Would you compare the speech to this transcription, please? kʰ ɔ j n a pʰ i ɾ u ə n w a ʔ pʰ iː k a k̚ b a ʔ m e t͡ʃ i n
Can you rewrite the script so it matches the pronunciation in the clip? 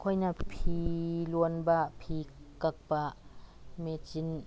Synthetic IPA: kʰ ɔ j n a pʰ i l u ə n b a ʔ pʰ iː k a k̚ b a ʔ m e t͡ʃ i n